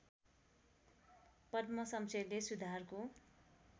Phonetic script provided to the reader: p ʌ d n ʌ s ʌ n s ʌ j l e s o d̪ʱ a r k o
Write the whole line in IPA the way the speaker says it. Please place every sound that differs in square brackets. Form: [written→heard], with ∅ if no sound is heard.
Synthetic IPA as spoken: p ʌ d [n→m] ʌ s ʌ [n→m] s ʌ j l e s [o→u] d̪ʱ a r k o